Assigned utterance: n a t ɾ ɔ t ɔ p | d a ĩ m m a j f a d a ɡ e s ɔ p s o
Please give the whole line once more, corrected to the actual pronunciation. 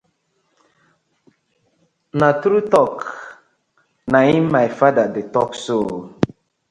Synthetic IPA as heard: n a t ɾ u t ɔ k | n a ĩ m m a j f a d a d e t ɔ k s o

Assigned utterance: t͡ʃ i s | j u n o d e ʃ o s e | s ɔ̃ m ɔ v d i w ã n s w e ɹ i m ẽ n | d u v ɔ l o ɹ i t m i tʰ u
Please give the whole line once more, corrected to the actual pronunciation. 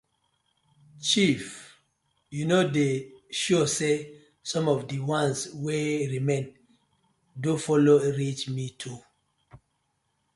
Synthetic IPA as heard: t͡ʃ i f | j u n o d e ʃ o s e | s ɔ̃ m ɔ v d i w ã n s w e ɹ i m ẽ n | d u f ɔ l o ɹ i t͡ʃ m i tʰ u

